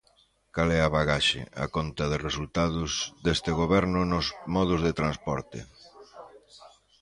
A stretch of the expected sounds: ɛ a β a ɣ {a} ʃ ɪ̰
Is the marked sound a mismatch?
no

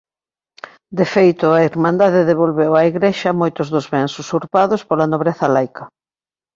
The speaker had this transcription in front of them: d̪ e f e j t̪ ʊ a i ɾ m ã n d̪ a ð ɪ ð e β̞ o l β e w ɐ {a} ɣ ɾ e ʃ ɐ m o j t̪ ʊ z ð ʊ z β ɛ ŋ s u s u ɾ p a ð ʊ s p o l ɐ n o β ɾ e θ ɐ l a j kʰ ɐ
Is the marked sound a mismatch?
yes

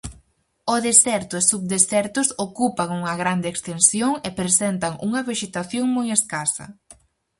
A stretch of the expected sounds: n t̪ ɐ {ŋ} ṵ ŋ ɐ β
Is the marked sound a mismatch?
no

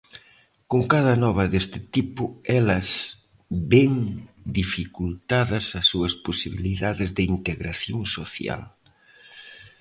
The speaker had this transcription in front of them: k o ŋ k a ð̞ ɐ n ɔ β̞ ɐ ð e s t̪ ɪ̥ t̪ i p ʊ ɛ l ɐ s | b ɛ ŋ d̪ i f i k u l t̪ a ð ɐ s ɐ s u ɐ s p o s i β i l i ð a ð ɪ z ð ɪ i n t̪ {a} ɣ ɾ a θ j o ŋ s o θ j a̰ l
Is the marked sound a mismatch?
yes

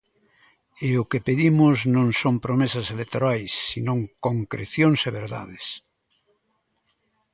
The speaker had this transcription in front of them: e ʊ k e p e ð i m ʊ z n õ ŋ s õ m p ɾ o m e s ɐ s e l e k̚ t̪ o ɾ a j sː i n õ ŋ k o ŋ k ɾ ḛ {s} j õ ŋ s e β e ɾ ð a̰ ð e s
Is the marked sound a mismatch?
yes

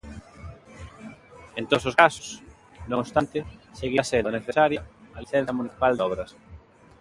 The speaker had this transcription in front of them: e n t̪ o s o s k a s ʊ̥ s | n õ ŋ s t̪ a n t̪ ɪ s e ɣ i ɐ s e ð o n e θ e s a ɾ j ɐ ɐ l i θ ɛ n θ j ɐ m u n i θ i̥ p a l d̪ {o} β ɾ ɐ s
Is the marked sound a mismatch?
yes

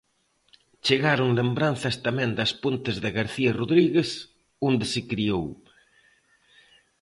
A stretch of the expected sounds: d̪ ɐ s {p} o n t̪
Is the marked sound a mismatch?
no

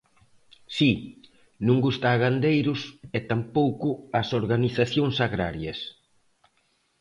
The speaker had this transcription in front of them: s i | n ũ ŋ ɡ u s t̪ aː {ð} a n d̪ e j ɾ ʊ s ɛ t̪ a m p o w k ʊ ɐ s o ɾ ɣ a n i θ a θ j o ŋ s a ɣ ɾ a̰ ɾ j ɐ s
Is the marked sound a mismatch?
yes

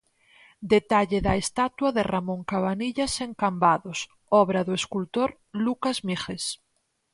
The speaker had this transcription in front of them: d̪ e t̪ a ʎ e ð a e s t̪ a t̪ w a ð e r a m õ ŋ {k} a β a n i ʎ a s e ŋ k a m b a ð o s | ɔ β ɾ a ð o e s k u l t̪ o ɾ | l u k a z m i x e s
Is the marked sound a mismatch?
no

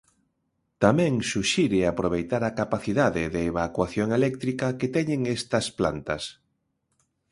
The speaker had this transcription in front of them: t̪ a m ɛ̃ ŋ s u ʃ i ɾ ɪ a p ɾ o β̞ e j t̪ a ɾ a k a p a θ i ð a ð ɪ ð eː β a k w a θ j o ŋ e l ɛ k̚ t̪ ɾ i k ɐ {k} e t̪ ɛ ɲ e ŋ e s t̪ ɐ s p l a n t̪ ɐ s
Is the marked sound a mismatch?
no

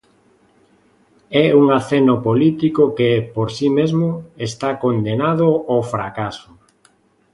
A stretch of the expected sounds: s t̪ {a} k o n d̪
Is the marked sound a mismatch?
no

